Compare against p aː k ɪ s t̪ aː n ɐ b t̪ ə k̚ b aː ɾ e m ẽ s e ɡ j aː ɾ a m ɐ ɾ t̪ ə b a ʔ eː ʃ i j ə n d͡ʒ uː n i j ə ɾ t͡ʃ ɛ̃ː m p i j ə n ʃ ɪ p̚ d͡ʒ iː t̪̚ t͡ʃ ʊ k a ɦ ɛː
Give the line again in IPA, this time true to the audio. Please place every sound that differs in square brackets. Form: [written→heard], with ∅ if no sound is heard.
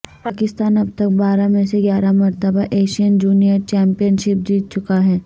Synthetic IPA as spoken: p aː k ɪ s t̪ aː n ɐ b t̪ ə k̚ b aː ɾ [e→a] m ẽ s e ɡ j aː ɾ a m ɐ ɾ t̪ ə b a ʔ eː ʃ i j ə n d͡ʒ uː n i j ə ɾ t͡ʃ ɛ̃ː m p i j ə n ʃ ɪ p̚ d͡ʒ iː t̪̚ t͡ʃ ʊ k a ɦ ɛː